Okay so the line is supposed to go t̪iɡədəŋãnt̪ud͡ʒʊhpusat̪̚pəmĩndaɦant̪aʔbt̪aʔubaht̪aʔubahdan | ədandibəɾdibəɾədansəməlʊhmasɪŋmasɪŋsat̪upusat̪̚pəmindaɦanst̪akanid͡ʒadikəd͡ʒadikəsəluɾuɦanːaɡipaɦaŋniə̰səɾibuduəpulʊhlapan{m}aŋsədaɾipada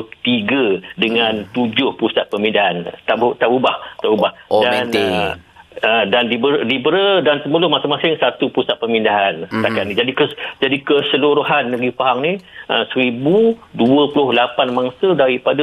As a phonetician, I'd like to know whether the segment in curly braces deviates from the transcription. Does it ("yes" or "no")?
no